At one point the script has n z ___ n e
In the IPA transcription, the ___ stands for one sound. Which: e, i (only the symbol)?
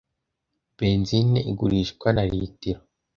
i